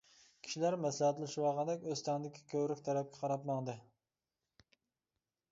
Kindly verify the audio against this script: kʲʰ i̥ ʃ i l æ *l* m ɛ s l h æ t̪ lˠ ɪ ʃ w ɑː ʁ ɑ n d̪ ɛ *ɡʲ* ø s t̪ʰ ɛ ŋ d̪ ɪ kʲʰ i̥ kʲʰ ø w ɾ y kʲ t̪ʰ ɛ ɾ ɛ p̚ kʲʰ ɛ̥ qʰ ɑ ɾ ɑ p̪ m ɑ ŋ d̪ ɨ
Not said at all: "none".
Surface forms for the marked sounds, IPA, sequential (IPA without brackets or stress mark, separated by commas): ɾ, kʲ